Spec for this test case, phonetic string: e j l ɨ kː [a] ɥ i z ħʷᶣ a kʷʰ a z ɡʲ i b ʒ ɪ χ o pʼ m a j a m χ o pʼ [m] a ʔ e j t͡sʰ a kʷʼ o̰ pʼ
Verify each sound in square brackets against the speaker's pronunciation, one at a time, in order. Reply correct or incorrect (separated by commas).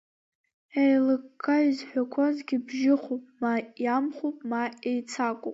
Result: correct, correct